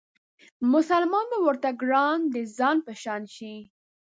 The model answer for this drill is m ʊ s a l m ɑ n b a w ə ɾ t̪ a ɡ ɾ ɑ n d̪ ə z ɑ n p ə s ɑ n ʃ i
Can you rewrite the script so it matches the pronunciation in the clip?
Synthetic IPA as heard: m ʊ s a l m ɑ n b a w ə ɾ t̪ a ɡ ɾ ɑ n d̪ ə z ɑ n p ə ʃ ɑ n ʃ i